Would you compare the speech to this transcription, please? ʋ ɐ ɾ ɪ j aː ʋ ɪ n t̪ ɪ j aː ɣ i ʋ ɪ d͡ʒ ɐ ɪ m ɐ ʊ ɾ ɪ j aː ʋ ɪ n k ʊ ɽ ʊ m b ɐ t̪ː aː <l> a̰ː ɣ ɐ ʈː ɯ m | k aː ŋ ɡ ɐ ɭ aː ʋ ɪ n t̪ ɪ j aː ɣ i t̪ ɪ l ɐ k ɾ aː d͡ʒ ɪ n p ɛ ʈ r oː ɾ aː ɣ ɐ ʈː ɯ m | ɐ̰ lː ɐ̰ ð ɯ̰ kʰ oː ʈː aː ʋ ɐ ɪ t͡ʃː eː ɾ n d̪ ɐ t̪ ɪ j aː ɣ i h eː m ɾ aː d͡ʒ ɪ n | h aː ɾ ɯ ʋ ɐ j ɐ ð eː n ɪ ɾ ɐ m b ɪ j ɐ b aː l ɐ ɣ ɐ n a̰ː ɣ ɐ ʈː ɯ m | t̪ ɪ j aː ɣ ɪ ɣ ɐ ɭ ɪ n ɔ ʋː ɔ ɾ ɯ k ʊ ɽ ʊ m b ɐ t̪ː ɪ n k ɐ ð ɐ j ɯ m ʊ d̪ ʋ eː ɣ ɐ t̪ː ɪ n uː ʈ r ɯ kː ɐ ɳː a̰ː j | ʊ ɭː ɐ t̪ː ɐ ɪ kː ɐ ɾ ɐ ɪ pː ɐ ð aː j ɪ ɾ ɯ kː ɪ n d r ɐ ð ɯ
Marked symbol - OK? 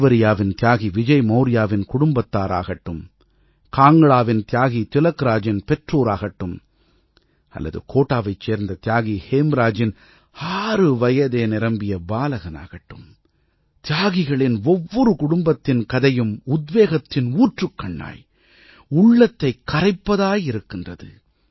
no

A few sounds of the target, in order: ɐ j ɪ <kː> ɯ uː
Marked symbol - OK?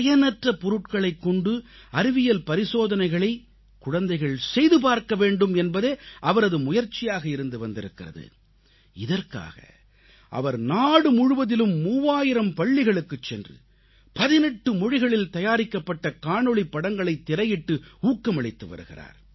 no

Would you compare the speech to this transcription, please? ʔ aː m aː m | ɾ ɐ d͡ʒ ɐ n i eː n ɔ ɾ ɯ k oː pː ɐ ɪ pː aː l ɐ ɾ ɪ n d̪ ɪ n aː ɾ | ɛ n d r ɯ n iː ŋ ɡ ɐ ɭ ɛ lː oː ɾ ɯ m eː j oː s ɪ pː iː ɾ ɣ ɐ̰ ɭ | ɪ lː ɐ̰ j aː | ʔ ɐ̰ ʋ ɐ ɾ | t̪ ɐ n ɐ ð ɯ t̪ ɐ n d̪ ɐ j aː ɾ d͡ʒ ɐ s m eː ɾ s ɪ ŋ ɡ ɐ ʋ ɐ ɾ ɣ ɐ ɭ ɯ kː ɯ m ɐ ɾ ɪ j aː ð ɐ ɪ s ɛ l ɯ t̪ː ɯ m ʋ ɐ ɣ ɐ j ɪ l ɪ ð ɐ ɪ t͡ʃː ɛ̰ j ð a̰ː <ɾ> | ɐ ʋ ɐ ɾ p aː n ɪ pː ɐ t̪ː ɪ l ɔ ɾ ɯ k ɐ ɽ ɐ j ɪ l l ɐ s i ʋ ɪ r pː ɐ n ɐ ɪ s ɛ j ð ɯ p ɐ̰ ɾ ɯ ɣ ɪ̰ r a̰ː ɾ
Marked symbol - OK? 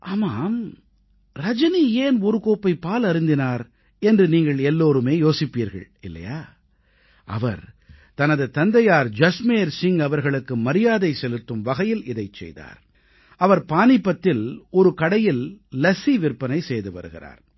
yes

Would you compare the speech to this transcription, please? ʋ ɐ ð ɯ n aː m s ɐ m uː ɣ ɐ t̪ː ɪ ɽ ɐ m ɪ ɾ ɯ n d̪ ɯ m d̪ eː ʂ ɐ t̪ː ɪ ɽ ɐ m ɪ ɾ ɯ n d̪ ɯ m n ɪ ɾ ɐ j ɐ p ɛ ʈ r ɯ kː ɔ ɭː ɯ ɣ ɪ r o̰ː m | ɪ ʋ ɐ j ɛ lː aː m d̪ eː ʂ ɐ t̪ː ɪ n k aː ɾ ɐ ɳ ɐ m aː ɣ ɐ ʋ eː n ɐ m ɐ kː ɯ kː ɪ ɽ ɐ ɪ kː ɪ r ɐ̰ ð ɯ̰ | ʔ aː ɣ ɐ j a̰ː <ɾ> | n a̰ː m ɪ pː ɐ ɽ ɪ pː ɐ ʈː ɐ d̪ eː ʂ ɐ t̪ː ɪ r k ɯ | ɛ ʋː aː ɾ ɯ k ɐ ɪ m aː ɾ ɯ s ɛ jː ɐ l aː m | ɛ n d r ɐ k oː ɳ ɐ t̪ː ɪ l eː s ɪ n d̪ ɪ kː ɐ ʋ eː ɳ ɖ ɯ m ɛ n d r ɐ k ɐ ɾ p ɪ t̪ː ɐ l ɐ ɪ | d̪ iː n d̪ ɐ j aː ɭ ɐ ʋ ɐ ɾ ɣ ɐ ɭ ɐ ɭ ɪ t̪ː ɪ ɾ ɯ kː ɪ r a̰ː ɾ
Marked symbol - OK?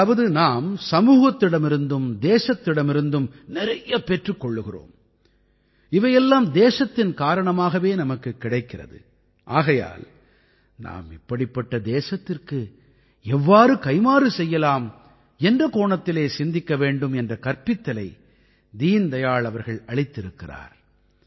no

